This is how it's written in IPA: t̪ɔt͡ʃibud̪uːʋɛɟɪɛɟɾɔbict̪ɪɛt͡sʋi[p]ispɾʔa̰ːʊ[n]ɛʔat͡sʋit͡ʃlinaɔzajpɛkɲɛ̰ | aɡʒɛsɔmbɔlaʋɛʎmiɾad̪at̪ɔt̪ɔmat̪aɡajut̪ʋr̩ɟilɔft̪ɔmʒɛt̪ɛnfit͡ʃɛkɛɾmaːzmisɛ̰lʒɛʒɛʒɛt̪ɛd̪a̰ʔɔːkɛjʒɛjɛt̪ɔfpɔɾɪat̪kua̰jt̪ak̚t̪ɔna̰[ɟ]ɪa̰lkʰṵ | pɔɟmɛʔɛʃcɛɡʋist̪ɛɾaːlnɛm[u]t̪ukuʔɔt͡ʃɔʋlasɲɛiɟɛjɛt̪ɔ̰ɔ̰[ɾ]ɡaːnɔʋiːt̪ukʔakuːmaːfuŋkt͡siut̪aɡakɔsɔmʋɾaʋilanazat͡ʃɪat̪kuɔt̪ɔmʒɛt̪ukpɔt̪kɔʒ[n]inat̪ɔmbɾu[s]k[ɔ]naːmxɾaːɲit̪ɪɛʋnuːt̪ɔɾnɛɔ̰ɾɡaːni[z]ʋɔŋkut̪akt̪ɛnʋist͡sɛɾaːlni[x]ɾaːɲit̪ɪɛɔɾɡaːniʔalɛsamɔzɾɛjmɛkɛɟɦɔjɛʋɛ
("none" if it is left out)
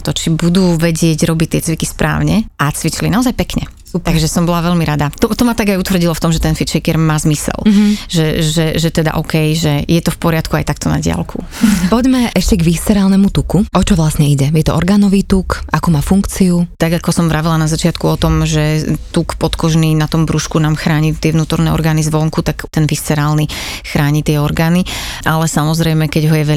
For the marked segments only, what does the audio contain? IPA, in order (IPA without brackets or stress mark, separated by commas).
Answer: k, ɲ, ɟ, u, ɾ, n, ʃ, u, z, x